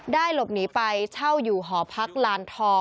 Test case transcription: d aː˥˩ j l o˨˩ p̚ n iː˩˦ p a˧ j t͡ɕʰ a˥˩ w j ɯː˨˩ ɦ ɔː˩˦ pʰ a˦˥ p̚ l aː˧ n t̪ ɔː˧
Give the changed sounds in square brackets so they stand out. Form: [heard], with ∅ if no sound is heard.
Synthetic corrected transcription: d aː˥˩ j l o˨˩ p̚ n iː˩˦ p a˧ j t͡ɕʰ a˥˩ w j [uː˨˩] ɦ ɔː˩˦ pʰ a˦˥ [k̚] l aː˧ n [t̪ʰ] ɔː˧